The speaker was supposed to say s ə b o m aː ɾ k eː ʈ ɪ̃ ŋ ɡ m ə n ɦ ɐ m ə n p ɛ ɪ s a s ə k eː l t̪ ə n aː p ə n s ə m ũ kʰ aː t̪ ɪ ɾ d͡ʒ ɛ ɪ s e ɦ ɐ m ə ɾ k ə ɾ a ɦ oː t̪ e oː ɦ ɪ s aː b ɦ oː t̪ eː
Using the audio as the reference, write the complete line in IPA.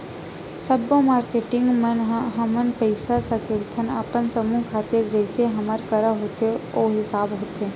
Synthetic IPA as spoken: s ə b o m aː ɾ k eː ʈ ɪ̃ ŋ ɡ m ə n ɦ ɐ m ə n p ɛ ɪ s a s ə k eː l t̪ʰ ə n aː p ə n s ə m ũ kʰ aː t̪ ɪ ɾ d͡ʒ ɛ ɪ s e ɦ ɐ m ə ɾ k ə ɾ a ɦ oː t̪ e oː ɦ ɪ s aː b ɦ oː t̪ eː